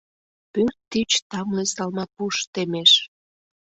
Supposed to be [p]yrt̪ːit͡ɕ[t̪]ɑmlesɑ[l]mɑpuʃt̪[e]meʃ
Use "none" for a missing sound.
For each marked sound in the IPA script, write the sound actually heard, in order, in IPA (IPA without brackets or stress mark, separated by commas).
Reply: p, t̪, l, e